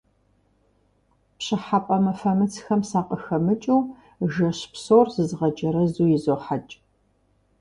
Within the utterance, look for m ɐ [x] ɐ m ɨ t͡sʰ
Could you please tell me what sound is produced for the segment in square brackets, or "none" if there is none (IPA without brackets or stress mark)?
f